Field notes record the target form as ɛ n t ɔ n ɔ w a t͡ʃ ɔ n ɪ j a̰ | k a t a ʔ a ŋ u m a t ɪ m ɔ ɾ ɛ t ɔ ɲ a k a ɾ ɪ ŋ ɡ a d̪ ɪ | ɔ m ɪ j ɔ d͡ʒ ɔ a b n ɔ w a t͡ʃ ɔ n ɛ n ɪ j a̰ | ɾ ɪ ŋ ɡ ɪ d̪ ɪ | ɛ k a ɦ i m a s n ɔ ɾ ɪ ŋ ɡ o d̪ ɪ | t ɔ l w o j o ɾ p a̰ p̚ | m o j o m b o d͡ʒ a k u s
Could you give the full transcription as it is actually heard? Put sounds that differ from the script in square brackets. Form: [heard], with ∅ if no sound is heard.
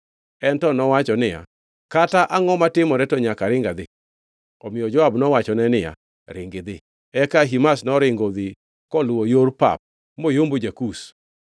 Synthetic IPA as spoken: ɛ n t ɔ n ɔ w a t͡ʃ ɔ n ɪ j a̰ | k a t a ʔ a ŋ [ɔ] m a t ɪ m ɔ ɾ ɛ t ɔ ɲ a k a ɾ ɪ ŋ ɡ a d̪ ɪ | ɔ m ɪ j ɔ d͡ʒ ɔ a b n ɔ w a t͡ʃ ɔ n ɛ n ɪ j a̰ | ɾ ɪ ŋ ɡ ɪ d̪ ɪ | ɛ k a ɦ i m a s n ɔ ɾ ɪ ŋ ɡ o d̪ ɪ | [k] ɔ l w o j o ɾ p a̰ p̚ | m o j o m b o d͡ʒ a k u s